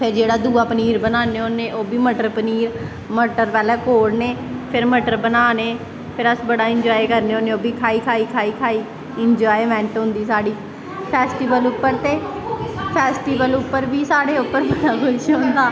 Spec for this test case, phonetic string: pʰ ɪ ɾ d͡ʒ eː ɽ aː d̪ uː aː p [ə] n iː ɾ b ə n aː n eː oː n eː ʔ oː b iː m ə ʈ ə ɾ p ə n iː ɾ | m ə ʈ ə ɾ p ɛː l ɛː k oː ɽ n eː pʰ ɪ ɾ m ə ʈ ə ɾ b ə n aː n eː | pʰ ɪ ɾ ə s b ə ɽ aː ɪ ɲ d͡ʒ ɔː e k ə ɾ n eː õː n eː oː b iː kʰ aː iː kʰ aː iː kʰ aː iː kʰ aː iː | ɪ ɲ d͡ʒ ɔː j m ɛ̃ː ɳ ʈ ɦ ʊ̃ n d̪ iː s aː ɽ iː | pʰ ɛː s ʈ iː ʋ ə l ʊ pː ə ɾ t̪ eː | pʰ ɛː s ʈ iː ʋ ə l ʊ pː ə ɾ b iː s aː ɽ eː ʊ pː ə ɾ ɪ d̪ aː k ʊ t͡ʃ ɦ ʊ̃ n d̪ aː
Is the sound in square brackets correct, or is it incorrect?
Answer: correct